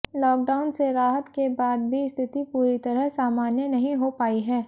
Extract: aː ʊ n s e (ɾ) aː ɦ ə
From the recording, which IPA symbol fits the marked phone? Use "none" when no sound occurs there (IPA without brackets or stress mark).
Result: ɾ